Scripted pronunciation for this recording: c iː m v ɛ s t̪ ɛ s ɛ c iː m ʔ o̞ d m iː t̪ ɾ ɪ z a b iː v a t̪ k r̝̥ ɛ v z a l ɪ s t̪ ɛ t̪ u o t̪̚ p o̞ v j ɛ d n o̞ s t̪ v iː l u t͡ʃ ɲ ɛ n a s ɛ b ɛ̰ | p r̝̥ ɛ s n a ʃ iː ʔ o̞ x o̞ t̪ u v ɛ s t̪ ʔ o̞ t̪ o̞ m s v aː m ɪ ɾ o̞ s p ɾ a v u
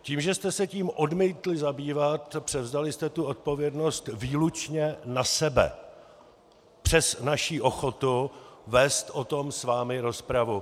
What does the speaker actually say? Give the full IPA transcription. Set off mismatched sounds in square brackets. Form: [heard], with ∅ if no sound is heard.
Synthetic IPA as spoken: c iː m [ʒ] ɛ s t̪ ɛ s ɛ c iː m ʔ o̞ d m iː t̪ [l] ɪ z a b iː v a t̪ [p] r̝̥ ɛ v z a l ɪ s t̪ ɛ t̪ u o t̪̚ p o̞ v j ɛ d n o̞ s t̪ v iː l u t͡ʃ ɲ ɛ n a s ɛ b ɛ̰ | p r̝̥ ɛ s n a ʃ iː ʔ o̞ x o̞ t̪ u v ɛ s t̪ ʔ o̞ t̪ o̞ m s v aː m ɪ ɾ o̞ s p ɾ a v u